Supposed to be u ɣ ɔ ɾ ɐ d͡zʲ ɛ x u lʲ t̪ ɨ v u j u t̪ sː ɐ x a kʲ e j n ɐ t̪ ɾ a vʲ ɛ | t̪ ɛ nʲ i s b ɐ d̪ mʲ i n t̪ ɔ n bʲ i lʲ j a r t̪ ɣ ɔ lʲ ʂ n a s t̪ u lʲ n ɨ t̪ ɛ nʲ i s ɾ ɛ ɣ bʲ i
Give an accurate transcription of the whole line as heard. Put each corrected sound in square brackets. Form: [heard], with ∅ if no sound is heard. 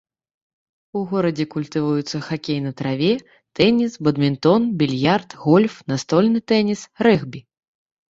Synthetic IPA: u ɣ ɔ ɾ ɐ d͡zʲ ɛ [k] u lʲ t̪ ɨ v u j u t̪ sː ɐ x a kʲ e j n ɐ t̪ ɾ a vʲ ɛ | t̪ ɛ nʲ i s b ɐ d̪ mʲ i n t̪ ɔ n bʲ i lʲ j a r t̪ ɣ ɔ lʲ [f] n a s t̪ [ɔ] lʲ n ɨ t̪ ɛ nʲ i s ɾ ɛ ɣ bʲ i